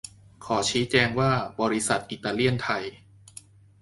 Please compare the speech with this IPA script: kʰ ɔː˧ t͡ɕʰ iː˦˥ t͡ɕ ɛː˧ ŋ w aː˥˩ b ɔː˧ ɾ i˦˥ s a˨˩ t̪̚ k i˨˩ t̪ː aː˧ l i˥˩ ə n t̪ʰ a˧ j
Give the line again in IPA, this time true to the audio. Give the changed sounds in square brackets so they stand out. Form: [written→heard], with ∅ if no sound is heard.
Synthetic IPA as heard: kʰ [ɔː˧→ɔː˩˦] t͡ɕʰ iː˦˥ t͡ɕ ɛː˧ ŋ w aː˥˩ b ɔː˧ ɾ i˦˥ s a˨˩ t̪̚ [k→ʔ] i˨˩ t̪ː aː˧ l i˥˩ ə n t̪ʰ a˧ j

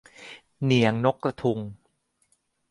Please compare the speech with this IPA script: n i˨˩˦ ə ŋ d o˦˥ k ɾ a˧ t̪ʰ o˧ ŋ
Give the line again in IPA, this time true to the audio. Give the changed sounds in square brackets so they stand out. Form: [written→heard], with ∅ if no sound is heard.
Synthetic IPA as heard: n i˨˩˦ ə ŋ [d→n] o˦˥ k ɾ a˧ t̪ʰ [o˧→u˧] ŋ

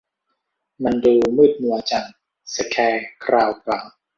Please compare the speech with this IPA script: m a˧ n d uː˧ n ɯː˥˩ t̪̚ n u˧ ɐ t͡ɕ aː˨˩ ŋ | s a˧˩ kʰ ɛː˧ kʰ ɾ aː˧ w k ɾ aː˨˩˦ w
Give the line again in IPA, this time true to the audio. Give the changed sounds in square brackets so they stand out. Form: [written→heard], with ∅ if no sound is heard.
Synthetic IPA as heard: m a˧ n d uː˧ [n→m] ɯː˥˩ t̪̚ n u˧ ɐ t͡ɕ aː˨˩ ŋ | s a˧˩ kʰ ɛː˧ kʰ ɾ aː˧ w k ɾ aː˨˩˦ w

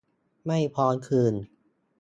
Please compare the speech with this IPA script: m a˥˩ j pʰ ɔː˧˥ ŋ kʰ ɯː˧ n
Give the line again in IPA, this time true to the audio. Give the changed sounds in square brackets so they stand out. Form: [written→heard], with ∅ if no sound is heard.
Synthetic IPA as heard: m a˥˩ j pʰ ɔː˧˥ [ŋ→n] kʰ ɯː˧ n

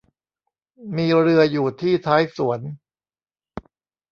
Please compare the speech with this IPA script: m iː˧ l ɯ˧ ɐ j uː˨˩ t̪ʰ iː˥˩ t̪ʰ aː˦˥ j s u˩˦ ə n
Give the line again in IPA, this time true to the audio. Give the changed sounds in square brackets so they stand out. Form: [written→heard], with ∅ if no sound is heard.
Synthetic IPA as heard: m iː˧ [l→ɾ] ɯ˧ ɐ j uː˨˩ t̪ʰ iː˥˩ t̪ʰ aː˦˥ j s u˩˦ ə n

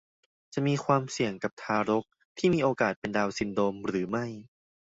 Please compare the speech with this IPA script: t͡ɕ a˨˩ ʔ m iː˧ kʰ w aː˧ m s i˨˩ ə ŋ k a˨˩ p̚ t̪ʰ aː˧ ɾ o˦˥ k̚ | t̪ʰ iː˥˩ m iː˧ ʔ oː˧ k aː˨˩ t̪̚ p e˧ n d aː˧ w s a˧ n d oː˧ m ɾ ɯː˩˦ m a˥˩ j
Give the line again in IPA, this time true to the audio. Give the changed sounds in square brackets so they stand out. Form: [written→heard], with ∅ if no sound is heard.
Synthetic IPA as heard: t͡ɕ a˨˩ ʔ m iː˧ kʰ w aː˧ m s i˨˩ ə ŋ k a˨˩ p̚ t̪ʰ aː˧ ɾ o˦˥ k̚ | t̪ʰ iː˥˩ m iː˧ ʔ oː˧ k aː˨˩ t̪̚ p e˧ n d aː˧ w s [a˧→i˧] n d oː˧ m ɾ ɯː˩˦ m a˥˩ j

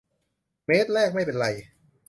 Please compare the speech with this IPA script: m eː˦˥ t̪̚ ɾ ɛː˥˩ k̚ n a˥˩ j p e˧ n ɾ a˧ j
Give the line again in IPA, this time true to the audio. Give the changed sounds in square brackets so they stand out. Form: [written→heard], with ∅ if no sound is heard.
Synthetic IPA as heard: m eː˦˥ t̪̚ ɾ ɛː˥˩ k̚ [n→m] a˥˩ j p e˧ n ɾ a˧ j

